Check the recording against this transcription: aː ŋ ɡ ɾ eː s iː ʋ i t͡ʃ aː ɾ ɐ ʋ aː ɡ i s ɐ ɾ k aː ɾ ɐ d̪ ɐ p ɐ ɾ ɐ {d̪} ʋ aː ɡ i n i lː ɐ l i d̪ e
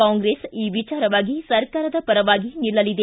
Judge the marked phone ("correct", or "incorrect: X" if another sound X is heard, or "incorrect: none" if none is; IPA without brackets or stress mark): incorrect: none